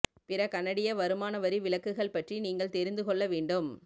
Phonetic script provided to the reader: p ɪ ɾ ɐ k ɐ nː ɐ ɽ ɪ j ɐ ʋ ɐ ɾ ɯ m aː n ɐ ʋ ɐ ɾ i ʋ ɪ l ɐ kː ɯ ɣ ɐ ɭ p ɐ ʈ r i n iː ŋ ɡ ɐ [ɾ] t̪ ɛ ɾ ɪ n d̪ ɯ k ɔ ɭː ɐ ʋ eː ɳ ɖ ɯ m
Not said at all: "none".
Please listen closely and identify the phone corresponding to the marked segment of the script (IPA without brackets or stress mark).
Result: ɭ